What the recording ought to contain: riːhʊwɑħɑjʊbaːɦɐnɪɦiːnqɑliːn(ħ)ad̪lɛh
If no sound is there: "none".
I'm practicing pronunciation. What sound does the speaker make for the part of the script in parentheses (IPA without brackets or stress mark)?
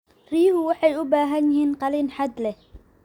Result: ħ